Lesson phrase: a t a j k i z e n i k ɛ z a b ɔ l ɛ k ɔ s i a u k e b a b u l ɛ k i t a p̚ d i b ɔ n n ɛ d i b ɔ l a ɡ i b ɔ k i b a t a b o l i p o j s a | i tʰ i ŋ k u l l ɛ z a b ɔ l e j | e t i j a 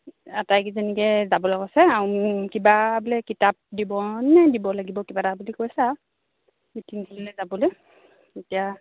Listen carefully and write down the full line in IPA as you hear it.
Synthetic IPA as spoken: a t a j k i z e n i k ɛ z a b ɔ l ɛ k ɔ s ɛ a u k i b a b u l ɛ k i t a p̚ d i b ɔ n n ɛ d i b ɔ l a ɡ i b ɔ k i b a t a b u l i k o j s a | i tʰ i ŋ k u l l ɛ z a b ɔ l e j | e t i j a